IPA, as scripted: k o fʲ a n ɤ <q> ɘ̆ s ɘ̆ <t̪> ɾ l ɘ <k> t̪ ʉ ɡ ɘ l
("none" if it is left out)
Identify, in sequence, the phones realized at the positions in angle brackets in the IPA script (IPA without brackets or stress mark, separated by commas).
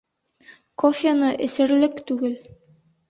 ʔ, none, k